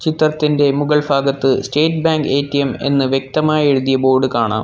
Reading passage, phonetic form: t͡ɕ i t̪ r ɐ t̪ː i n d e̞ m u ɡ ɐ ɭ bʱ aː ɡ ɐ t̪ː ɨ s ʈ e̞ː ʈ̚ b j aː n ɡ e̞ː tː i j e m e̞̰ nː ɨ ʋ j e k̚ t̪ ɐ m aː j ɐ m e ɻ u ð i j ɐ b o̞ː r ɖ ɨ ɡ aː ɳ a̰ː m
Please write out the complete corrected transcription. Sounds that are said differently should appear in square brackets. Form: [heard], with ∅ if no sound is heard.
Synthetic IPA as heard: t͡ɕ i t̪ r ɐ t̪ː i n d e̞ m u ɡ ɐ ɭ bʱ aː ɡ ɐ t̪ː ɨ s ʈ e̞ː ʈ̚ b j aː [ŋ] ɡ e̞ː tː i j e m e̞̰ nː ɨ ʋ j e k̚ t̪ ɐ m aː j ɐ [∅] e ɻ u ð i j ɐ b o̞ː r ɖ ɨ [k] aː ɳ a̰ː m